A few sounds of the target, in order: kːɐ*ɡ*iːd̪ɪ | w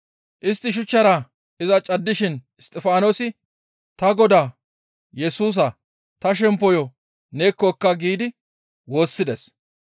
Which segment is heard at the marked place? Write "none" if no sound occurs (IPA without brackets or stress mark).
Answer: ɡ